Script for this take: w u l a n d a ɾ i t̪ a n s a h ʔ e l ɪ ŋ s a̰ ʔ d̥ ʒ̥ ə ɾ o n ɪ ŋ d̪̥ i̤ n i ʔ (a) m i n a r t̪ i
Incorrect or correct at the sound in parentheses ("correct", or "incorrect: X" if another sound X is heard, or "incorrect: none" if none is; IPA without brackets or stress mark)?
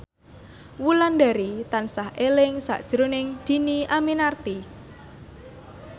correct